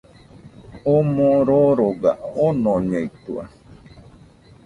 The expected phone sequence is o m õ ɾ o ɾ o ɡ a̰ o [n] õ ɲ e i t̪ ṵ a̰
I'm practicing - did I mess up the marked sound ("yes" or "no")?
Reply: no